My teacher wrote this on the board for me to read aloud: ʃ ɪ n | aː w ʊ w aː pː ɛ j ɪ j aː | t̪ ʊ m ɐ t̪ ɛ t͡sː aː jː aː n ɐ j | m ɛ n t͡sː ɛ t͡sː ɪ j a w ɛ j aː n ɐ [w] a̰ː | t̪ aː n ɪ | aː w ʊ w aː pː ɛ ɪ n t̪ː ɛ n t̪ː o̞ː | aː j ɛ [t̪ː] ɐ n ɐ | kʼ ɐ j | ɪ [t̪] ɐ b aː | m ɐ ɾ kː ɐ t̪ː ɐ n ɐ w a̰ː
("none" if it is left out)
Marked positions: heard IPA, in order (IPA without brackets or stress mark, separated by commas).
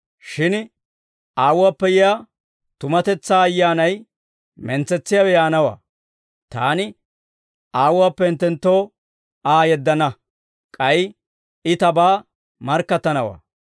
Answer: w, d̪ː, t̪